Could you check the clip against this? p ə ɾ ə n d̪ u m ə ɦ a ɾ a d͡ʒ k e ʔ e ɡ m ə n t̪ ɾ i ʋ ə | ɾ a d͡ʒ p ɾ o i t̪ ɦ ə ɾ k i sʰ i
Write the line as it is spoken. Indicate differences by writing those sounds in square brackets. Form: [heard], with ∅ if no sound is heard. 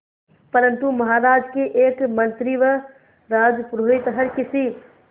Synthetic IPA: p ə ɾ ə n [t̪] u m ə ɦ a ɾ a d͡ʒ k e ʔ e [k] m ə n t̪ ɾ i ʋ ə | ɾ a d͡ʒ p ɾ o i t̪ ɦ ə ɾ k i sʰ i